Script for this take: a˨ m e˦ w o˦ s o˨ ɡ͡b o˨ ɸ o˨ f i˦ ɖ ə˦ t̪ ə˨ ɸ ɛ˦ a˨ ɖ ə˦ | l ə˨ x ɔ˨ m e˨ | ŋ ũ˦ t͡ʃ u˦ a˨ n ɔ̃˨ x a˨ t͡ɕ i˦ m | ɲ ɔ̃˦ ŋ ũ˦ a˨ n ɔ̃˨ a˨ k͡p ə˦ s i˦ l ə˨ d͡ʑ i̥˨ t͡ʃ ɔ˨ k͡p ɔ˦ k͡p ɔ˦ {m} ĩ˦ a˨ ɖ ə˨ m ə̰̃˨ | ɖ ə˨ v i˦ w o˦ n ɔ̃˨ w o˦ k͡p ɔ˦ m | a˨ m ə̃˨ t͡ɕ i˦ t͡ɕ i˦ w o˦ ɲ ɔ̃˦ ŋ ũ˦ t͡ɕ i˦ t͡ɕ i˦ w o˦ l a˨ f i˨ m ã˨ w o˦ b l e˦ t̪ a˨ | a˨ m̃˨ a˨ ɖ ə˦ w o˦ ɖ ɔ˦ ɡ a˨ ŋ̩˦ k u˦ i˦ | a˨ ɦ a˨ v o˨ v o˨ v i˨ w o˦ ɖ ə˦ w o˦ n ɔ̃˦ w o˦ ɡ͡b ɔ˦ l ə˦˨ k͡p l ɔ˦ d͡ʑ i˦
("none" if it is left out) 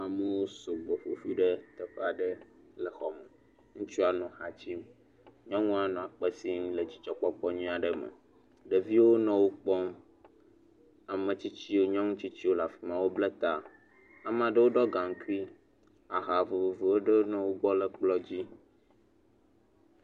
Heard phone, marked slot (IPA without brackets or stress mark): ɲ